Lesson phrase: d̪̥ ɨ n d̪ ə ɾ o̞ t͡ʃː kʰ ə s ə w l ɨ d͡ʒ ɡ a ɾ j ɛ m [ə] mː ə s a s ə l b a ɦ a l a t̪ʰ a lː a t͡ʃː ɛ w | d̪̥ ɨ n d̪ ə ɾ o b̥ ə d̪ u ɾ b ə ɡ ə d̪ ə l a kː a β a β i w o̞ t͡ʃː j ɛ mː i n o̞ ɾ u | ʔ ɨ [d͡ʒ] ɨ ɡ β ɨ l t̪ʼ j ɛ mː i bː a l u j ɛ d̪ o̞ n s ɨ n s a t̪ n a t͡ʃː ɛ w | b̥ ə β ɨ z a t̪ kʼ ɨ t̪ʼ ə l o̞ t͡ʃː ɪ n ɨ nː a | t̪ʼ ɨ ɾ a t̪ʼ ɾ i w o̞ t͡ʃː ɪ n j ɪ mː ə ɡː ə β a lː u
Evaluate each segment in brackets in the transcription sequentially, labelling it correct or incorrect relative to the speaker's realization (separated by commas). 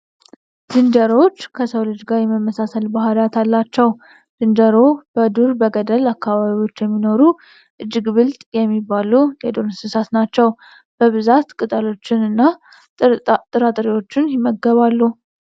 correct, incorrect